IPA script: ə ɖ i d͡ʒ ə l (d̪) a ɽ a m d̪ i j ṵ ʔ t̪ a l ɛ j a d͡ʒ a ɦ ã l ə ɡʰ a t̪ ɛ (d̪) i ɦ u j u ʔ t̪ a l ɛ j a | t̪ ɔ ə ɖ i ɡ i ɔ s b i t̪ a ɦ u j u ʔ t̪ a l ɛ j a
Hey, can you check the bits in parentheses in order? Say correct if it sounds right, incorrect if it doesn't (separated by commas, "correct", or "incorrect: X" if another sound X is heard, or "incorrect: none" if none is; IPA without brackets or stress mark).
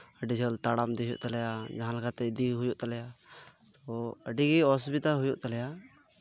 incorrect: t̪, correct